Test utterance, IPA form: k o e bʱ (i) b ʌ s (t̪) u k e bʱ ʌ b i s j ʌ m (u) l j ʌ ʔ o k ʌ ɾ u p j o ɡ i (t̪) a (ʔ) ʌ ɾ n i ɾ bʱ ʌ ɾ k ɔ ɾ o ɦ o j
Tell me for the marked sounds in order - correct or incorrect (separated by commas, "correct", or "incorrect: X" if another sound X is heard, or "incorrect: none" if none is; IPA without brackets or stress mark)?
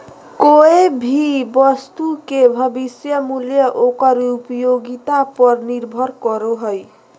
correct, correct, correct, correct, incorrect: p